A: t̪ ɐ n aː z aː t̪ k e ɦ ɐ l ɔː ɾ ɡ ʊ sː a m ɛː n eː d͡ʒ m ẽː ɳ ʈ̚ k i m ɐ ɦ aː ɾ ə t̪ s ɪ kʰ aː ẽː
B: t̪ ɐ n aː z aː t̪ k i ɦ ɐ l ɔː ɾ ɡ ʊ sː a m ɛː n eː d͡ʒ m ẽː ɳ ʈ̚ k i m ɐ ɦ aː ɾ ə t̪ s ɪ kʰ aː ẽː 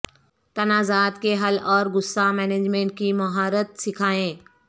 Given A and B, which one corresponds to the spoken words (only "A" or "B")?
A